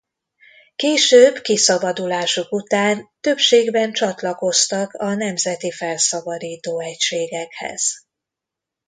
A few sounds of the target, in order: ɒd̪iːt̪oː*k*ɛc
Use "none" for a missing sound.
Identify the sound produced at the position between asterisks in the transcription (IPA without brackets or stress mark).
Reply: none